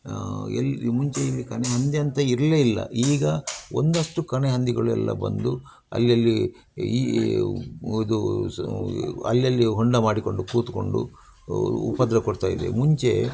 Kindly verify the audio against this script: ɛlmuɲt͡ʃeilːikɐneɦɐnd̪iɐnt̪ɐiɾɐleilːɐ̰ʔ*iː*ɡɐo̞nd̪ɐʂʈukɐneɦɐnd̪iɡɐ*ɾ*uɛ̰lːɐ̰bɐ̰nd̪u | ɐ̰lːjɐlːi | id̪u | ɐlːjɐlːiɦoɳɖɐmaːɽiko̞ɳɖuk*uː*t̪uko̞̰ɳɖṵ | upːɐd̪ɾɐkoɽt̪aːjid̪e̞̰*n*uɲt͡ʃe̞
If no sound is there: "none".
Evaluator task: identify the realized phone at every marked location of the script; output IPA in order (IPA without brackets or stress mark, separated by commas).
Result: iː, ɭ, uː, m